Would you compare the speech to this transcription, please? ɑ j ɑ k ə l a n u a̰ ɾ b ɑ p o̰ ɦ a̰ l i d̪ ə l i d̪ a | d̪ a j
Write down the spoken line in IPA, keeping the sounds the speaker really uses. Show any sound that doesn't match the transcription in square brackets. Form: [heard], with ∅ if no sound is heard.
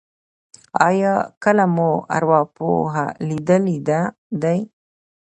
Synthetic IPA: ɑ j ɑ k ə l a [m] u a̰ ɾ [w] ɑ p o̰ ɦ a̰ l i d̪ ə l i d̪ a | d̪ a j